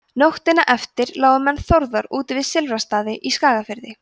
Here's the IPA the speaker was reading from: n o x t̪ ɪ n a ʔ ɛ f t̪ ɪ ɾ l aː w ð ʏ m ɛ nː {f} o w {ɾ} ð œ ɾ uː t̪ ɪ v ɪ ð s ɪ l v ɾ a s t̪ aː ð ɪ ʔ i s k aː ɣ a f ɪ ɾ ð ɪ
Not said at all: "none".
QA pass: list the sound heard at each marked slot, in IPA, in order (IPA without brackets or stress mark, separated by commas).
θ, ɾ